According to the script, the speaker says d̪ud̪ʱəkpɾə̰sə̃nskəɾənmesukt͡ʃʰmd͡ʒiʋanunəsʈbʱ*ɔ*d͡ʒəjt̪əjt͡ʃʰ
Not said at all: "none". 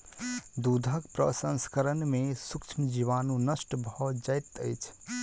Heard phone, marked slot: ɔ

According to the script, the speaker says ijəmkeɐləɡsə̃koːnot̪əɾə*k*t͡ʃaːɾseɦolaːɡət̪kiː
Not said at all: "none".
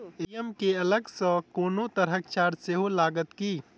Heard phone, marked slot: k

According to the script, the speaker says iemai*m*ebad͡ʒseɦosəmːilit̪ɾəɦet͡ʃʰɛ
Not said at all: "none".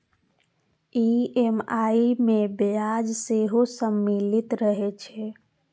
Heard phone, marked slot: m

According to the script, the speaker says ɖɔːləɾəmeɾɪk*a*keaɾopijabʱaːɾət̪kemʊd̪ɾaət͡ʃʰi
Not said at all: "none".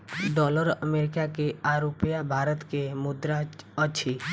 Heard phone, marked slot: a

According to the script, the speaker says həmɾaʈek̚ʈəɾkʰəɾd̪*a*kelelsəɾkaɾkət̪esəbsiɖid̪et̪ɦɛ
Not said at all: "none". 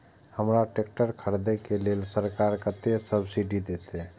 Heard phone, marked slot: e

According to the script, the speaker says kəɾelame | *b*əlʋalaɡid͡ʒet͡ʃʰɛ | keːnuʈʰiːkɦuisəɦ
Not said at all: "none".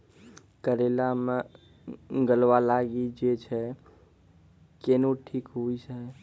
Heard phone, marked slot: ɡ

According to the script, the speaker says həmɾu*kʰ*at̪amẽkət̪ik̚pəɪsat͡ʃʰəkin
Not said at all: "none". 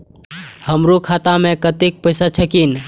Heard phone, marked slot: kʰ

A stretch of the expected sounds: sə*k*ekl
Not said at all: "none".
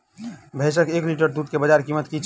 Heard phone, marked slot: k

